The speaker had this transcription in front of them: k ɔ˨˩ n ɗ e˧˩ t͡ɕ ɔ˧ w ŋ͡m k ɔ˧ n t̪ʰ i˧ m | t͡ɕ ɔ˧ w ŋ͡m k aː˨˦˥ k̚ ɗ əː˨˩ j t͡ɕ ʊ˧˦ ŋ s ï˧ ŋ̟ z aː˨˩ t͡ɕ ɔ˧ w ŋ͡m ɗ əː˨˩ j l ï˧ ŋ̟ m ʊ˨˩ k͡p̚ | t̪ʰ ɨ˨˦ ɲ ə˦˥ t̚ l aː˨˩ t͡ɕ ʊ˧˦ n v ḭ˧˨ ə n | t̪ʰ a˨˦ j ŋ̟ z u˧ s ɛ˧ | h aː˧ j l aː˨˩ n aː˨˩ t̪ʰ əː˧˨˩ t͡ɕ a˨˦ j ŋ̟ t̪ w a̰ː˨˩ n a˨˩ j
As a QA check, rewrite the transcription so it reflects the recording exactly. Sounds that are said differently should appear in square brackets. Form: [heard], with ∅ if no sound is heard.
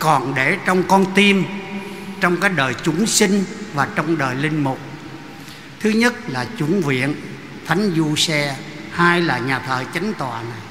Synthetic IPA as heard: k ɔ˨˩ n ɗ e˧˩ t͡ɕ ɔ˧ w ŋ͡m k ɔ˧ n [t̪] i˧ m | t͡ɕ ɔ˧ w ŋ͡m k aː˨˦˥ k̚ ɗ əː˨˩ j t͡ɕ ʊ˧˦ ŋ s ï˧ ŋ̟ [v] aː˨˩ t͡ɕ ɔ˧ w ŋ͡m ɗ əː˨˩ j l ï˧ ŋ̟ m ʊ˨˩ k͡p̚ | t̪ʰ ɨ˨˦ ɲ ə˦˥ t̚ l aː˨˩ t͡ɕ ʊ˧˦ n v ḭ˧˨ ə n | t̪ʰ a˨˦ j ŋ̟ z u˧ s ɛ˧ | h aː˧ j l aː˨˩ [ɲ] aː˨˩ t̪ʰ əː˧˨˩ t͡ɕ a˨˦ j ŋ̟ t̪ w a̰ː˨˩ n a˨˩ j